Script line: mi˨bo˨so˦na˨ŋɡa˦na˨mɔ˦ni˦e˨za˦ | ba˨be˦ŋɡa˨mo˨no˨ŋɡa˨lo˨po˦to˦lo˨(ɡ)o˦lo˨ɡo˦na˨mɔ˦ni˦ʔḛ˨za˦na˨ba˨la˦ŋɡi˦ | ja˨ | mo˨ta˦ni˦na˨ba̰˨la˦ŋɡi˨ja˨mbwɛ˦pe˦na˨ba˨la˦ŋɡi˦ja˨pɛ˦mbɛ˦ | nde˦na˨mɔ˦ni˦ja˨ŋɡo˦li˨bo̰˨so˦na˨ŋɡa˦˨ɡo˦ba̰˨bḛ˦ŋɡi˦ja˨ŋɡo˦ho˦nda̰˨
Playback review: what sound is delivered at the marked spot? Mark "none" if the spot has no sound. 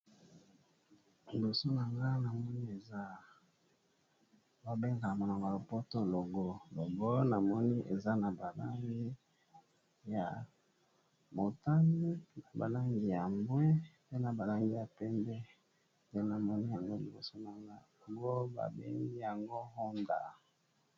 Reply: ɡ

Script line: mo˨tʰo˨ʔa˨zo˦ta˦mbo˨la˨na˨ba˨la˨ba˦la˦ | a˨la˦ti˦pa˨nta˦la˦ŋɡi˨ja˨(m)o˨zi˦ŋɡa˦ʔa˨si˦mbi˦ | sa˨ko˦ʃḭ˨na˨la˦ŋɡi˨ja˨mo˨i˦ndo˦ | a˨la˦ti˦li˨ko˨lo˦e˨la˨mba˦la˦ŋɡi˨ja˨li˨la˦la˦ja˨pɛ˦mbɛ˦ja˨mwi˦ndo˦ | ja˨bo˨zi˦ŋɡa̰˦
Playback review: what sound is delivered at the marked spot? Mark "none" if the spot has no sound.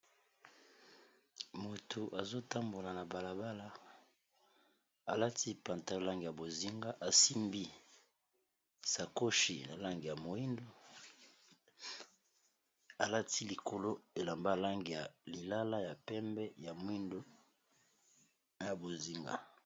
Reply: b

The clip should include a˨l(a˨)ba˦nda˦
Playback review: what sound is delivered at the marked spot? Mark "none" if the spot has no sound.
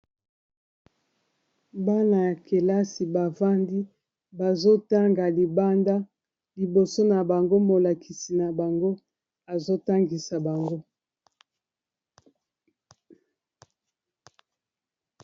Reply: i˨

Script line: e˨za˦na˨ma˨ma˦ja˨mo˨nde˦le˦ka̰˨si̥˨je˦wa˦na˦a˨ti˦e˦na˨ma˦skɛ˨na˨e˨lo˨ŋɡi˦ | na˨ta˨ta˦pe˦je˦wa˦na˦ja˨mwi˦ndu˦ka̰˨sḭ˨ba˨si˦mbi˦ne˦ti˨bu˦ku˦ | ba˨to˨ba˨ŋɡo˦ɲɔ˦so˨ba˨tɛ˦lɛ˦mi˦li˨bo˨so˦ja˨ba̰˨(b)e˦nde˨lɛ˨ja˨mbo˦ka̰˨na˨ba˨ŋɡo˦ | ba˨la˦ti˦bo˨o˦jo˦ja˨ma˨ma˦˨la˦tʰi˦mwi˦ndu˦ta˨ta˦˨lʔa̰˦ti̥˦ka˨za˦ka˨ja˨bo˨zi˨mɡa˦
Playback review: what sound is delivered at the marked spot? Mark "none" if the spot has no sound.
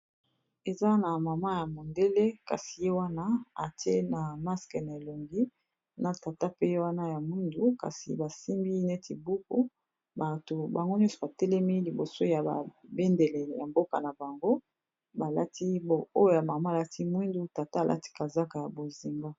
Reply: b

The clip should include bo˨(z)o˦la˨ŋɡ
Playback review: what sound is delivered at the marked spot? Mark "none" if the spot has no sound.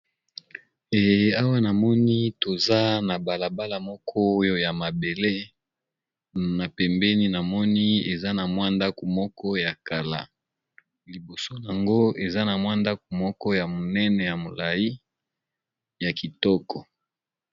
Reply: s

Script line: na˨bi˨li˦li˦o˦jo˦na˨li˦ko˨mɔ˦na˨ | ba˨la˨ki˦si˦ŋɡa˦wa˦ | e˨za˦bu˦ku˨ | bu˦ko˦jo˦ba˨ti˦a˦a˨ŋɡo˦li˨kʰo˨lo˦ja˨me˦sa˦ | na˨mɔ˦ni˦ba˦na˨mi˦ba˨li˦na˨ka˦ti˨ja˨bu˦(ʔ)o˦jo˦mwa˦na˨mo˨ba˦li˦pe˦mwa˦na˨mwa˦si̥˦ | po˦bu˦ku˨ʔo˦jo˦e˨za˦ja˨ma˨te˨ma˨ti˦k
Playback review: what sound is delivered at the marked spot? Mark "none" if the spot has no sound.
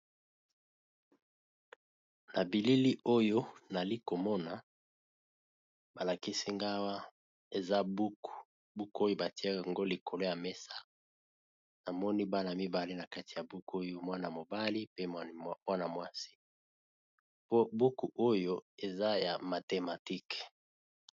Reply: k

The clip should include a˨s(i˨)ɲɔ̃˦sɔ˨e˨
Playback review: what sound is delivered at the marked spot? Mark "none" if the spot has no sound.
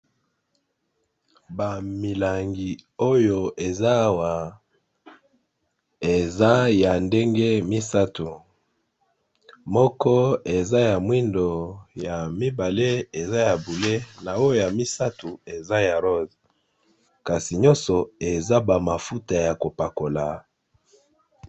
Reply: i˨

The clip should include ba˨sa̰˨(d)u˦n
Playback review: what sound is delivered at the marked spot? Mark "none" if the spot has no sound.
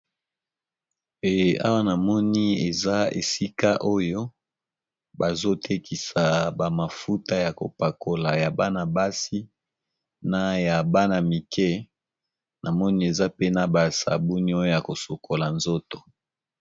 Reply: b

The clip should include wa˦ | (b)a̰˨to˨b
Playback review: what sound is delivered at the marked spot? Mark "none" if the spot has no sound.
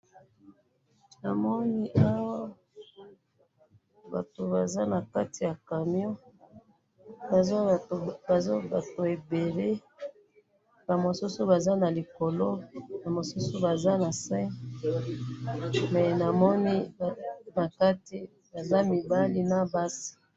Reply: b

